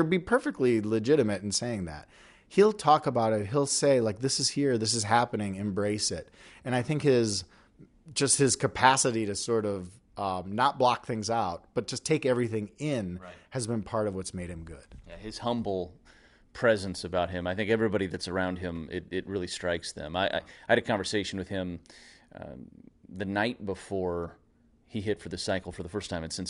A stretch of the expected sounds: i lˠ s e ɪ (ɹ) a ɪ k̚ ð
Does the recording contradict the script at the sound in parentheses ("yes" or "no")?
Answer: yes